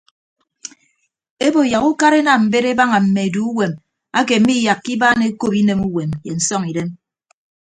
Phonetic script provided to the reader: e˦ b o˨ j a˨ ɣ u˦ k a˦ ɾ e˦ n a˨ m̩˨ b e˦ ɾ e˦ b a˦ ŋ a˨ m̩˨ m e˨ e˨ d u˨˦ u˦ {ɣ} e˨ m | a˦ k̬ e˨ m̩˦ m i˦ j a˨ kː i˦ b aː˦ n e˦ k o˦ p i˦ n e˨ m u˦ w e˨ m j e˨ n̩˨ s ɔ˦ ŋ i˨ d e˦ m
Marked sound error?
yes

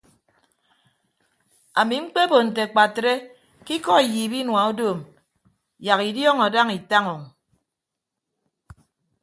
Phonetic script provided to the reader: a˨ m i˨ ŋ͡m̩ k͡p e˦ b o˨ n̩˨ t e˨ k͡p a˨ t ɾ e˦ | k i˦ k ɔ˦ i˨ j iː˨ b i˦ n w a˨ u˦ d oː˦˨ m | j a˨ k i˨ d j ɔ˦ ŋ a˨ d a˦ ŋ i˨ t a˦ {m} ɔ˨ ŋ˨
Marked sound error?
yes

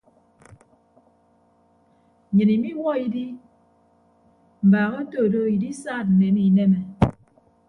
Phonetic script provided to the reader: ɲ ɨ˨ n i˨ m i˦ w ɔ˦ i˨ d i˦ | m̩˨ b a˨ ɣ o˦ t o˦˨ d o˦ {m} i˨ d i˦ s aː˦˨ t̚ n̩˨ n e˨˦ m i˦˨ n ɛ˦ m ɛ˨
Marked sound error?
yes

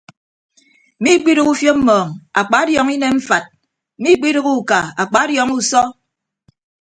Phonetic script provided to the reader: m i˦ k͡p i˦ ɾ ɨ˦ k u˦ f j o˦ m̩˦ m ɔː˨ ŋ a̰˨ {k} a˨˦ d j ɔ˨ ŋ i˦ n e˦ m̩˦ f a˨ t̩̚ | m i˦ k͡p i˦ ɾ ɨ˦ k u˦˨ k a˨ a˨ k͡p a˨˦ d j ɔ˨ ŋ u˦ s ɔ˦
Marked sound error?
yes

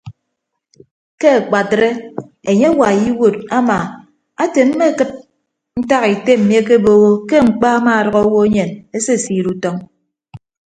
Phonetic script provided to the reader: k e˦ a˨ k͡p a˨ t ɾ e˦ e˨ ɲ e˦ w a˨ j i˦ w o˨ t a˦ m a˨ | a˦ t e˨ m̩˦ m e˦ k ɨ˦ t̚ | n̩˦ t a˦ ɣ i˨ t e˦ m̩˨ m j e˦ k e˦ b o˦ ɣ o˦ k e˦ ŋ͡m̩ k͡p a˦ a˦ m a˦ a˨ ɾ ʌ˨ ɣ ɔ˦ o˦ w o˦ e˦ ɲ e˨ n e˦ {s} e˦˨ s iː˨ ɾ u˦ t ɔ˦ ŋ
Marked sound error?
no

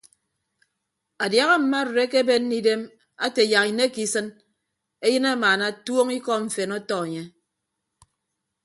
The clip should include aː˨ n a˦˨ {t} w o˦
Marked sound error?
no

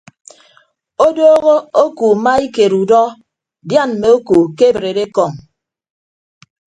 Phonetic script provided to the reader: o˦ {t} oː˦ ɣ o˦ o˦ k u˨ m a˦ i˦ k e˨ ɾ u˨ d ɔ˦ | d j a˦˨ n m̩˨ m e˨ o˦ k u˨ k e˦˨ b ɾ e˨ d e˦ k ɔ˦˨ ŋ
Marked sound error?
yes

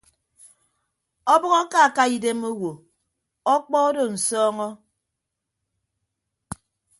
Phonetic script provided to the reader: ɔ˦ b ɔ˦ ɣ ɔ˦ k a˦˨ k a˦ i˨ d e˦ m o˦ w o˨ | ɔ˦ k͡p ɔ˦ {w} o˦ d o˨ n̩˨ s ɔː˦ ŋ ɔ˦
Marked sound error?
yes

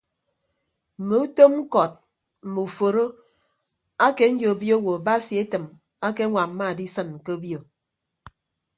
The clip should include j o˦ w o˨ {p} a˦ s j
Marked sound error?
yes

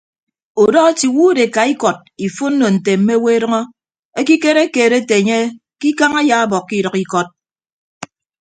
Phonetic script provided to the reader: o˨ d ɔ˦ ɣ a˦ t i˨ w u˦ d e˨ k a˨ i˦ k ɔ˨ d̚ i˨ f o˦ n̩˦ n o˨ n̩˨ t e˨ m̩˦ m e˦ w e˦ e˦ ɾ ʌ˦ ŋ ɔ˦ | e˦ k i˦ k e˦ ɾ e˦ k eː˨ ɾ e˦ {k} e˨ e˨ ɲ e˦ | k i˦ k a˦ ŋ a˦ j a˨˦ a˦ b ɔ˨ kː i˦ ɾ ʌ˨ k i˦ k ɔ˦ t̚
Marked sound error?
yes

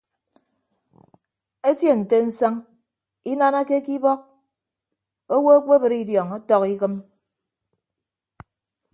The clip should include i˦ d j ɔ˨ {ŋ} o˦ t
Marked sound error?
no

